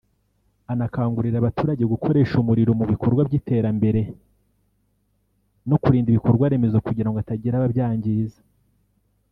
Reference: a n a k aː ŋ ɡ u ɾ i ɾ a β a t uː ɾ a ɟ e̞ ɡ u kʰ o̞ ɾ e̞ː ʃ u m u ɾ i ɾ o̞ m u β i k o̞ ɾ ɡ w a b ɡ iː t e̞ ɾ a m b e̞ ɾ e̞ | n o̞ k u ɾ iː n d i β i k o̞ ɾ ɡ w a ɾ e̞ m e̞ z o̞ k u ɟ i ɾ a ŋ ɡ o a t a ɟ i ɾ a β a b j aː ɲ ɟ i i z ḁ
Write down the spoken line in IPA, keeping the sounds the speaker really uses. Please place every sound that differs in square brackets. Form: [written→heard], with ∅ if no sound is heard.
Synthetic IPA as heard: a n a k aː ŋ ɡ u ɾ i ɾ a β a t uː ɾ a ɟ e̞ ɡ u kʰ o̞ ɾ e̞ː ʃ u m u ɾ i ɾ o̞ m u β i k o̞ ɾ ɡ w a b [ɡ→ɟ] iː t e̞ ɾ a m b e̞ ɾ e̞ | n o̞ k u ɾ iː n d i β i k o̞ ɾ ɡ w a ɾ e̞ m e̞ z o̞ k u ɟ i ɾ a ŋ ɡ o a t a ɟ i ɾ a β a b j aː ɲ ɟ i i z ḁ